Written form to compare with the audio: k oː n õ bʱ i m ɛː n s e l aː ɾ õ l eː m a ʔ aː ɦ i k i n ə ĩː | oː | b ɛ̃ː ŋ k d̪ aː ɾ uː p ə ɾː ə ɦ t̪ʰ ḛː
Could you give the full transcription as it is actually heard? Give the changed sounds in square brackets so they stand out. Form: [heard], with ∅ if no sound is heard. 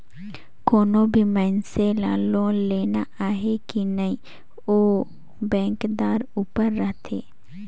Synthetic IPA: k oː n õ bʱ i m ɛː n s e l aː [l] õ l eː [n] a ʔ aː ɦ [e] k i n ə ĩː | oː | b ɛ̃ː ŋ k d̪ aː ɾ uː p ə ɾː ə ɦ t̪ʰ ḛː